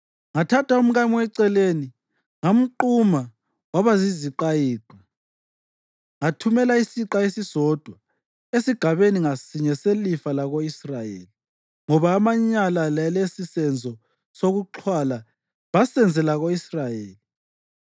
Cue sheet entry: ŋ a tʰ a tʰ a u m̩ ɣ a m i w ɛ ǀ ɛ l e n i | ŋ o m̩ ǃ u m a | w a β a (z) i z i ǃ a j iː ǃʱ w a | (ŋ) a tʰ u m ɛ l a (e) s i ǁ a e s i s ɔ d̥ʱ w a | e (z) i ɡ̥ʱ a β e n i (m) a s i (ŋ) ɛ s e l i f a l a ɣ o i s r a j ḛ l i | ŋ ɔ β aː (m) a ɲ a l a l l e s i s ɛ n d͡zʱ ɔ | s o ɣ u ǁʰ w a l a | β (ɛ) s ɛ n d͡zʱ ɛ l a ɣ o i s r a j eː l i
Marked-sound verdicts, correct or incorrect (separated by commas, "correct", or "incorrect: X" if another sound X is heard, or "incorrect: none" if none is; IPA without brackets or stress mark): correct, correct, incorrect: i, incorrect: s, incorrect: ŋ, incorrect: ɲ, correct, incorrect: a